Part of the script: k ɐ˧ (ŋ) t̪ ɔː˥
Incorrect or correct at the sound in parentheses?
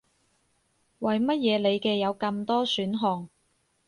incorrect: m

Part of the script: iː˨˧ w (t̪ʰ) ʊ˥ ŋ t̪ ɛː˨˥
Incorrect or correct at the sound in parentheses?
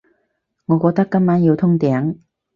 correct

